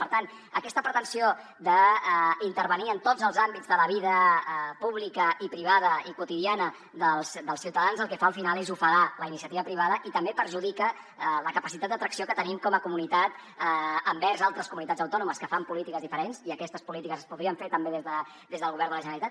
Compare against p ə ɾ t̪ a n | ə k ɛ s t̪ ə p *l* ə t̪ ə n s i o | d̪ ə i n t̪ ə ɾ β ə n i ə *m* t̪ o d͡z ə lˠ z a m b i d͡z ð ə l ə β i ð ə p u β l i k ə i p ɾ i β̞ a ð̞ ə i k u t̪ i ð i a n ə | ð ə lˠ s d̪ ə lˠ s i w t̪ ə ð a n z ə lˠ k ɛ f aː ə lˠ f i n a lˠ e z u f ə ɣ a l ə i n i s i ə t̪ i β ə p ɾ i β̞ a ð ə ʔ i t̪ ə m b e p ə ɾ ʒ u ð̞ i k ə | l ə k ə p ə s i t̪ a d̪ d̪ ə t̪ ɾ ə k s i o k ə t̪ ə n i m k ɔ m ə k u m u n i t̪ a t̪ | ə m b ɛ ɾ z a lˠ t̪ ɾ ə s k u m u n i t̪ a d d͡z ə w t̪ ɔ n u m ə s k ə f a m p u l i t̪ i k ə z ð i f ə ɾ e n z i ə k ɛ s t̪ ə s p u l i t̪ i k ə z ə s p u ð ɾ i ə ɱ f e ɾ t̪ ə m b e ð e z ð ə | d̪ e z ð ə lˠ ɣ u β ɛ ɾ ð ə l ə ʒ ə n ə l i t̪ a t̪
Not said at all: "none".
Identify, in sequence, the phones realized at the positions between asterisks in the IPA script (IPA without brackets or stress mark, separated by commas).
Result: ɾ, n